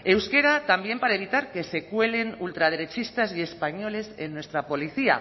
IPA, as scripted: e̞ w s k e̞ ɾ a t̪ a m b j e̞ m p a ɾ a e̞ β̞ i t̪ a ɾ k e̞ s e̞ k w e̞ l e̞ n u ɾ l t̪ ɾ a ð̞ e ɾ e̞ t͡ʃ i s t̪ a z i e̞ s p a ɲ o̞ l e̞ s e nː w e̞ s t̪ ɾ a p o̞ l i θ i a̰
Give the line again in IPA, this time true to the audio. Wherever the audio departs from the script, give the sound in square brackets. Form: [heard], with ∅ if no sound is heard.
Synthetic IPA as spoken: e̞ w s k e̞ ɾ a t̪ a m b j e̞ m p a ɾ a e̞ β̞ i t̪ a ɾ k e̞ s e̞ k w e̞ l e̞ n u [∅] l t̪ ɾ a ð̞ e ɾ e̞ t͡ʃ i s t̪ a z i e̞ s p a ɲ o̞ l e̞ s e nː w e̞ s t̪ ɾ a p o̞ l i θ i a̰